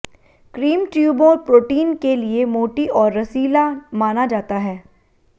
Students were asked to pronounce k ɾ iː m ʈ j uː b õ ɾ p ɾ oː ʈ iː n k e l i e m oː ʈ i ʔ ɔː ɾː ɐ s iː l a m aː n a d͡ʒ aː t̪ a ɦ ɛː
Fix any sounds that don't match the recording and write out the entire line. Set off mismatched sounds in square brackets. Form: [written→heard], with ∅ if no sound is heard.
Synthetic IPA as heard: k ɾ iː m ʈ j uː b õ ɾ p ɾ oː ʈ iː n k e l i e m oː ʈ i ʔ ɔː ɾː ɐ s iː l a m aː n a d͡ʒ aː t̪ a ɦ ɛː